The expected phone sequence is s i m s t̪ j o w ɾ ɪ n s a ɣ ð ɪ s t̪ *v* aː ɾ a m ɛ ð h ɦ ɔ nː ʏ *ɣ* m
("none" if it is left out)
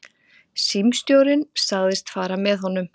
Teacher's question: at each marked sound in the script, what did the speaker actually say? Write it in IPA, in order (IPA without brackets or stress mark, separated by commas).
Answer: f, none